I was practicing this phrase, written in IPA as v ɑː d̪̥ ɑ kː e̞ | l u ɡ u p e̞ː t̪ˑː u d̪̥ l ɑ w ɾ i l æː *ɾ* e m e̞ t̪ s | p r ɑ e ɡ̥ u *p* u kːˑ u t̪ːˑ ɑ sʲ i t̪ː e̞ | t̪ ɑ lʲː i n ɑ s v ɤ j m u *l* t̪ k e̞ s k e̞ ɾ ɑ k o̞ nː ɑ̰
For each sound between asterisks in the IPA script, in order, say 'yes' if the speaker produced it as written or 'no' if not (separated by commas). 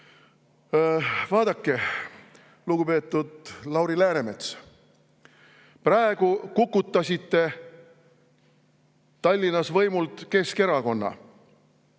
yes, no, yes